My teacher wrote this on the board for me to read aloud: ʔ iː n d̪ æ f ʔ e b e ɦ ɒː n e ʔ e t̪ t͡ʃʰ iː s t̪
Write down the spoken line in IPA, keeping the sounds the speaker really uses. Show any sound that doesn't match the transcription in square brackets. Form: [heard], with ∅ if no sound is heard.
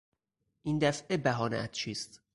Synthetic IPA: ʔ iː n d̪ æ f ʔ e b [æ] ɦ ɒː n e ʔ [æ] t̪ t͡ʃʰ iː s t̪